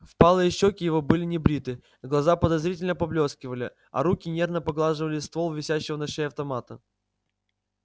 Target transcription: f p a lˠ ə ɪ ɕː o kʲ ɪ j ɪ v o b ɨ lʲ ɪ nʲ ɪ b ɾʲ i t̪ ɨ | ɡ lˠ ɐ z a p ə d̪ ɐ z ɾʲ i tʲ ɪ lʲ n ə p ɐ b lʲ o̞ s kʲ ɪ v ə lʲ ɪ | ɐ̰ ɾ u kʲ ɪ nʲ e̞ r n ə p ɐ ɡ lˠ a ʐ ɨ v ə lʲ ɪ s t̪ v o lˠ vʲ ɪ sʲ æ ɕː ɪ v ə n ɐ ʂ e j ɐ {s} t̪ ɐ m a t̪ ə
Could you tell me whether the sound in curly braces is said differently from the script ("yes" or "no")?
yes